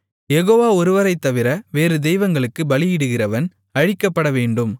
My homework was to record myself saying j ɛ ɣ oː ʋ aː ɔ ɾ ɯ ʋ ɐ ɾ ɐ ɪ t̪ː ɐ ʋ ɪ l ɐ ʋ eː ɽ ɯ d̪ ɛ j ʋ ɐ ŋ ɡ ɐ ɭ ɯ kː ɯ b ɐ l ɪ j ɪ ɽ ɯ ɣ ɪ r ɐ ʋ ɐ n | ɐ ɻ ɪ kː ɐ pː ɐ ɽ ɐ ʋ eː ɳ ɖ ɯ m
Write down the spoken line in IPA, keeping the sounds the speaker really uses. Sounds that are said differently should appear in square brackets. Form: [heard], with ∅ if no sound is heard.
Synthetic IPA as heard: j ɛ ɣ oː ʋ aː ɔ ɾ ɯ ʋ ɐ ɾ ɐ ɪ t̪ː ɐ ʋ ɪ [ɾ] ɐ ʋ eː [ɾ] ɯ d̪ ɛ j ʋ ɐ ŋ ɡ ɐ ɭ ɯ kː ɯ b ɐ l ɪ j ɪ ɽ ɯ ɣ ɪ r ɐ ʋ ɐ n | ɐ ɻ ɪ kː ɐ pː ɐ ɽ ɐ ʋ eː ɳ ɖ ɯ m